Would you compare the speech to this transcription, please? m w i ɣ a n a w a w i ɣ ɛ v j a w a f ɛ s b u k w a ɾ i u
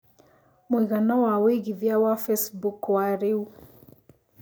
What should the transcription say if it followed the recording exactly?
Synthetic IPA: m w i ɣ a n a w a w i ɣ i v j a w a f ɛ s b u k w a ɾ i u